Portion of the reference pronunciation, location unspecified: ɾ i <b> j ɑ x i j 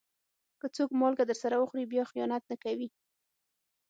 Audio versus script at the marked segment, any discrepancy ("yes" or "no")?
no